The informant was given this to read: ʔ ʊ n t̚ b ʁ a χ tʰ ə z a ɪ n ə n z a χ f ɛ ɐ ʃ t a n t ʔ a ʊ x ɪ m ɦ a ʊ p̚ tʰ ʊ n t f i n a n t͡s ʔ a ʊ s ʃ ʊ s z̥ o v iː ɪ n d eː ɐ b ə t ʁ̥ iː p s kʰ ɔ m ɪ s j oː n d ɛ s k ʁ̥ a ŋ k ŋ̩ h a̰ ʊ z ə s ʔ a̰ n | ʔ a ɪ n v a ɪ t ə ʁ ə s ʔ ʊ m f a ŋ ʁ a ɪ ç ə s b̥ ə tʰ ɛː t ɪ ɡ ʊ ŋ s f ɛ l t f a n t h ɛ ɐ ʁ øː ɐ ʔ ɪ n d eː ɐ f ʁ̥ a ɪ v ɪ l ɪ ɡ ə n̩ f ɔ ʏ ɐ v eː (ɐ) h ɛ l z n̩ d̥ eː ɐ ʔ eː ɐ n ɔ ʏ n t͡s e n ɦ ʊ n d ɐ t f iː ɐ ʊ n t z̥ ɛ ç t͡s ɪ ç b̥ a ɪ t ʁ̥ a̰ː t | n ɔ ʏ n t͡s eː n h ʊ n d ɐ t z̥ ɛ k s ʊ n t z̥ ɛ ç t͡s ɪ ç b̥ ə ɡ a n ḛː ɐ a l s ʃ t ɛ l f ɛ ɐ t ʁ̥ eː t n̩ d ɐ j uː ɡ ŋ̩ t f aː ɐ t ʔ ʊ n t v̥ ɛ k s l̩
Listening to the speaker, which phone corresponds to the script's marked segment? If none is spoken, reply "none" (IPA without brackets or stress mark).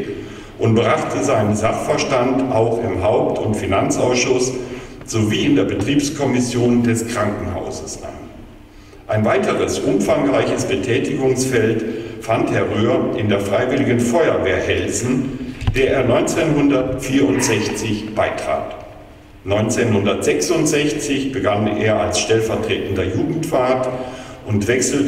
ɐ